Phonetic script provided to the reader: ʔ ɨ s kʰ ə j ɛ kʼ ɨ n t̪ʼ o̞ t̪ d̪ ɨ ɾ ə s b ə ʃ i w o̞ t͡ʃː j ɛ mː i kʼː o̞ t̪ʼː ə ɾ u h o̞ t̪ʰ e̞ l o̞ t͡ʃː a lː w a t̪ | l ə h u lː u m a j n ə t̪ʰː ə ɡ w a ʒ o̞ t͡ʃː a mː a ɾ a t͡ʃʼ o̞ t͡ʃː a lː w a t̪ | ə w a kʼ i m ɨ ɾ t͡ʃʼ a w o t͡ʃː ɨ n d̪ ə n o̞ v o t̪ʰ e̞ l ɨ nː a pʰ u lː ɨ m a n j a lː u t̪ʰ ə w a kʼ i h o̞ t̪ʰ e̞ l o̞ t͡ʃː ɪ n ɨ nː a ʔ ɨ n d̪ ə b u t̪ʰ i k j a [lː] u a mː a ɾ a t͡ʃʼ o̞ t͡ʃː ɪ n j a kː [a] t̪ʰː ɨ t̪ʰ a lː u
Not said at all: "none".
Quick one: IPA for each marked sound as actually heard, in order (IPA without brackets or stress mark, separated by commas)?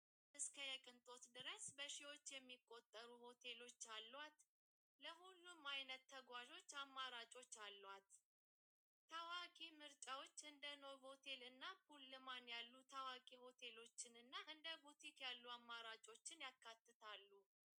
lː, a